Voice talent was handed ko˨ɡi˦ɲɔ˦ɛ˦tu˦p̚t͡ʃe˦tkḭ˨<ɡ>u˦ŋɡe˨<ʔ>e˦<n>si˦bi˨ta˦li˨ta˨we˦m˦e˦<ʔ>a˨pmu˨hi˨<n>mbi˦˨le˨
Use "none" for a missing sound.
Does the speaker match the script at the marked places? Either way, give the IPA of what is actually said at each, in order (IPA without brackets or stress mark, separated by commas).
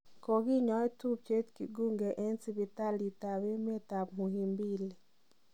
ɡ, ʔ, n, t, none